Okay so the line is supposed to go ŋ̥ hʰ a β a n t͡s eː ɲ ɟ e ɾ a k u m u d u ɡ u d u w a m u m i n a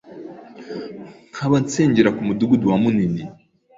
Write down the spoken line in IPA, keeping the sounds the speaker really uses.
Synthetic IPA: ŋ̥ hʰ a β a n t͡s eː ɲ ɟ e ɾ a k u m u d u ɡ u d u w a m u n i n i